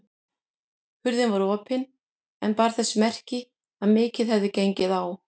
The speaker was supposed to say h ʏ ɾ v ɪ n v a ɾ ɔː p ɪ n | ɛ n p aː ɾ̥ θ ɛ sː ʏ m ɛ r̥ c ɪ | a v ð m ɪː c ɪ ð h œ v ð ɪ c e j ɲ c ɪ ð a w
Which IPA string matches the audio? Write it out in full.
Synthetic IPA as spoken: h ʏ ɾ ð ɪ n v a ɾ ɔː p ɪ n | ɛ n p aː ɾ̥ θ ɛ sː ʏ m ɛ r̥ c ɪ | a ð m ɪː c ɪ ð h ɛ v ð ɪ c e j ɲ c ɪ ð a w